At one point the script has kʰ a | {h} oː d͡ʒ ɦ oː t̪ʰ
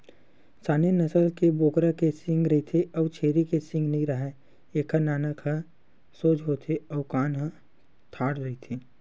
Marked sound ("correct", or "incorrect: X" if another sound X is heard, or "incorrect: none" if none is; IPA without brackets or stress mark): incorrect: s